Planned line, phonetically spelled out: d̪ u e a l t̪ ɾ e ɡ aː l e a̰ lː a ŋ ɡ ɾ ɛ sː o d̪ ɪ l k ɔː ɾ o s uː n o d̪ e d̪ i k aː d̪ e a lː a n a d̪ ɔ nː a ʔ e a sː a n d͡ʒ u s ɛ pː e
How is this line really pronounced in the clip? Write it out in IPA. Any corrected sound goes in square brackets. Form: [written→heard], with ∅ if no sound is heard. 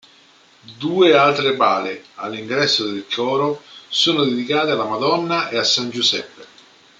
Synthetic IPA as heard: d̪ [u→uː] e a l t̪ ɾ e [ɡ→b] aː l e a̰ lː [a→i] ŋ ɡ ɾ ɛ sː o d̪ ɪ l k ɔː ɾ o s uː n o d̪ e d̪ i k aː [d̪→t̪] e a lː a [n→m] a d̪ ɔ nː a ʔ e a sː a n d͡ʒ u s ɛ pː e